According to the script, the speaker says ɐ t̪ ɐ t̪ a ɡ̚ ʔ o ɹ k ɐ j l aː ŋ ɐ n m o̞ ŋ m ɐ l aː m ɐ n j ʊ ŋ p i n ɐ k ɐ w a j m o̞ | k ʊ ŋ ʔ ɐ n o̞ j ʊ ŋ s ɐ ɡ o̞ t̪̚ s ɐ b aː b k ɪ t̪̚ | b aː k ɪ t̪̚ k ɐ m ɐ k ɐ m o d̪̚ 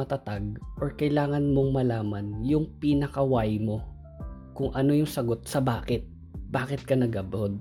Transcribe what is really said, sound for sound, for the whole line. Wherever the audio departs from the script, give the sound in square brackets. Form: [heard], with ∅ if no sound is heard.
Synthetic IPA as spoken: ɐ t̪ ɐ t̪ a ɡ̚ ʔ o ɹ k ɐ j l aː ŋ ɐ n m o̞ ŋ m ɐ l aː m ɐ n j ʊ ŋ p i n ɐ k ɐ w a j m o̞ | k ʊ ŋ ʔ ɐ n o̞ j ʊ ŋ s ɐ ɡ o̞ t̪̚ s ɐ b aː [∅] k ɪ t̪̚ | b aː k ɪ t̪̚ k ɐ [n] ɐ [ɡ] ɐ [b] o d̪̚